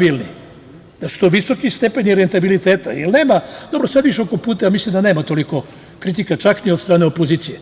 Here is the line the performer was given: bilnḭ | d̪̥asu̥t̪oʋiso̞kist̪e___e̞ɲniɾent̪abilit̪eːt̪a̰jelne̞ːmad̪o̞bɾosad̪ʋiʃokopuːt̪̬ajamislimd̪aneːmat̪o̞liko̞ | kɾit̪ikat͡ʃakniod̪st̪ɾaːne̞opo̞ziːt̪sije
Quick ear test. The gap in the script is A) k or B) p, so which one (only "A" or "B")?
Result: B